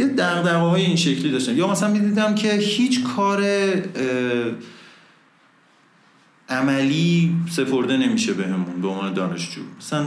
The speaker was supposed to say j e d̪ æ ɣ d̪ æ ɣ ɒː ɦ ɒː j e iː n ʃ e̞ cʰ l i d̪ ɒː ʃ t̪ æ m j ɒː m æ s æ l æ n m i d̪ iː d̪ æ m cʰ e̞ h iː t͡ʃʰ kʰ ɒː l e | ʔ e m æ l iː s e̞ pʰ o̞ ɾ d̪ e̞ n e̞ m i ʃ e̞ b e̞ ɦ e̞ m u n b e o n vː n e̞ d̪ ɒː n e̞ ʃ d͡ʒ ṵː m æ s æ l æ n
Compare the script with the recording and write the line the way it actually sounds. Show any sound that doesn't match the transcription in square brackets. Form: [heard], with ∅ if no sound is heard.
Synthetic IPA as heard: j e d̪ æ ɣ d̪ æ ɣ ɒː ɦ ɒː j e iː n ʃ e̞ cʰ l i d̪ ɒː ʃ t̪ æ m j ɒː m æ s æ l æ n m i d̪ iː d̪ æ m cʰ e̞ h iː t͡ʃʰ kʰ ɒː [ɾ] e | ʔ [æ] m æ l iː s e̞ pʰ o̞ ɾ d̪ e̞ n e̞ m i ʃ e̞ b e̞ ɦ e̞ m u n b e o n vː n e̞ d̪ ɒː n e̞ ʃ d͡ʒ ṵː m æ s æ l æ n